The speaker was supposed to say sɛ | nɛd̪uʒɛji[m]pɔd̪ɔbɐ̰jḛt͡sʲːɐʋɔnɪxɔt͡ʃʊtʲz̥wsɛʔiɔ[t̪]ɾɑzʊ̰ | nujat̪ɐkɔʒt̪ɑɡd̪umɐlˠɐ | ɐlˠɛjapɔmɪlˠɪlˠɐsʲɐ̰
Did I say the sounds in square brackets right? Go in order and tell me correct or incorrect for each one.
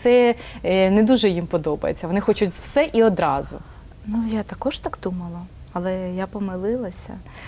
correct, incorrect

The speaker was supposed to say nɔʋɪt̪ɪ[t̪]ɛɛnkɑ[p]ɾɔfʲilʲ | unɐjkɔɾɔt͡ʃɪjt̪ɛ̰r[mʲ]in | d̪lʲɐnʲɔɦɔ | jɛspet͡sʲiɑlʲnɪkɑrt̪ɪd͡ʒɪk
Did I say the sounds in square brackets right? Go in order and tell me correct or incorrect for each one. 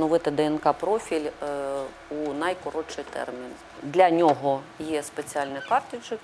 incorrect, correct, correct

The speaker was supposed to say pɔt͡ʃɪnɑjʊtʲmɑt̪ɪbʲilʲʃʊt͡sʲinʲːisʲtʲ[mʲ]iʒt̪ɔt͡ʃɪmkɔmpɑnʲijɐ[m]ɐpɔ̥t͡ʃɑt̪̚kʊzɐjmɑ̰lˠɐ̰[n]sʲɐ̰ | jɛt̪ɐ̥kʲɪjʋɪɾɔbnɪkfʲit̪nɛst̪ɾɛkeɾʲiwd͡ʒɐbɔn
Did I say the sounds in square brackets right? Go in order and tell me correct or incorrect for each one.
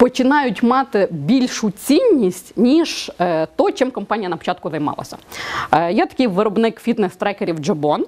incorrect, incorrect, incorrect

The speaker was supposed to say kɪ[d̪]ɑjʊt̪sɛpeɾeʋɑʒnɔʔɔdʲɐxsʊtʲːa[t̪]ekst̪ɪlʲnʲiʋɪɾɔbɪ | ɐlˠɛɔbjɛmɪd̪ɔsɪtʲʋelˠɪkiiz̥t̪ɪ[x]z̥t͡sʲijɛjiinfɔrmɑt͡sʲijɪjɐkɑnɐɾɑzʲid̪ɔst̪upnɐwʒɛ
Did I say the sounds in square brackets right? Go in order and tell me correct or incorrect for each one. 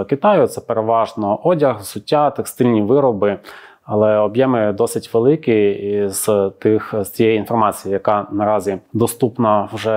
incorrect, correct, correct

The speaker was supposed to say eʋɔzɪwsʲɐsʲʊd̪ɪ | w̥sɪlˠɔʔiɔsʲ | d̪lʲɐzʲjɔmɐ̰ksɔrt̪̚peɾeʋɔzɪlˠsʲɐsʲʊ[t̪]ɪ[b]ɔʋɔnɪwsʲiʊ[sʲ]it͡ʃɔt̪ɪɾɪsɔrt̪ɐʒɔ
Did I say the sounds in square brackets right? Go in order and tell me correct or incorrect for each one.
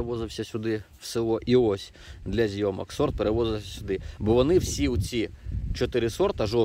incorrect, correct, incorrect

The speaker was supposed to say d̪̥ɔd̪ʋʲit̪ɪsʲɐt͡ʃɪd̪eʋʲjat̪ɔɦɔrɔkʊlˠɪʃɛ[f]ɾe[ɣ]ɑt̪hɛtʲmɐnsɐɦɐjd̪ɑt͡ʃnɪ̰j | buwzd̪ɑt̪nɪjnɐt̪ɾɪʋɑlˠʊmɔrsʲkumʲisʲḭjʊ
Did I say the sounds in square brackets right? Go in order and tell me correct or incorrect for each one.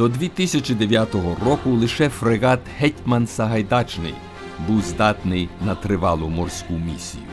correct, correct

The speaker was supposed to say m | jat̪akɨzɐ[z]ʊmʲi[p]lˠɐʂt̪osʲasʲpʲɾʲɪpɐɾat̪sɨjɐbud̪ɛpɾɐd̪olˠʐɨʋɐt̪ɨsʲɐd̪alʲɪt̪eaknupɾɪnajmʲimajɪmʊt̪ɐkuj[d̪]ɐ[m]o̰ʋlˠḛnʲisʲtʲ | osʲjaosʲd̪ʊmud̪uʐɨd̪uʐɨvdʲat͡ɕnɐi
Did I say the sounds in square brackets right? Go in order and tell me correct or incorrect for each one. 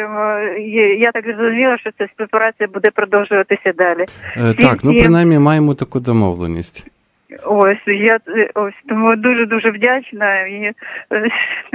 correct, incorrect, correct, correct

